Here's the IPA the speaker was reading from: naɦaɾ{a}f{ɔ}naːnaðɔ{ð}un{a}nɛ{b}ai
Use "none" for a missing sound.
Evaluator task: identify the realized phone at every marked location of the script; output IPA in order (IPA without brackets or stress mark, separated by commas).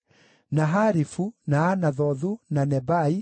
i, u, ð, a, b